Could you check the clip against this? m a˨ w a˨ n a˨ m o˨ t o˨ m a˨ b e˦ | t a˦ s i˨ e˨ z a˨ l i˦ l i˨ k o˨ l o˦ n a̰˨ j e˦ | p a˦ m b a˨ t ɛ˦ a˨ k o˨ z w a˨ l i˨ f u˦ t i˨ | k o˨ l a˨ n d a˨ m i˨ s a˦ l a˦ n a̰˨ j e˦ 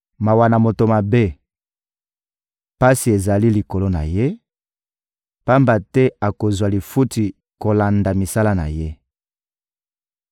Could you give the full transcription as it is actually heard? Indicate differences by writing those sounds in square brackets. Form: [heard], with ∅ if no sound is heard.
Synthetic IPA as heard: m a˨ w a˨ n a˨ m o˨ t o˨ m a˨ b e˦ | [p] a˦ s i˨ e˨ z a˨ l i˦ l i˨ k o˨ l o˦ n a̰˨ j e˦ | p a˦ m b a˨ t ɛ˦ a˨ k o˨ z w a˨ l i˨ f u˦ t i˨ | k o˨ l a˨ n d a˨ m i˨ s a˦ l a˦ n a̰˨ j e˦